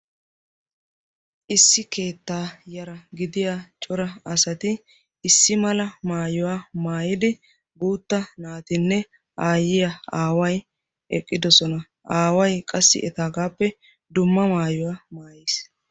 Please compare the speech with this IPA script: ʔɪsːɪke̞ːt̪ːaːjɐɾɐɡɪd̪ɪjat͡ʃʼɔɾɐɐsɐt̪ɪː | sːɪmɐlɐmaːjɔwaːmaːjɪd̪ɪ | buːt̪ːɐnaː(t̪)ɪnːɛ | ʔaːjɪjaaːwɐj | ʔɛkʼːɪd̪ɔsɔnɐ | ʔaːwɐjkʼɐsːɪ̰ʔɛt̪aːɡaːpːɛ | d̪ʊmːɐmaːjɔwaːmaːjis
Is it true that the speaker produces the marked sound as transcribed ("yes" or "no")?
yes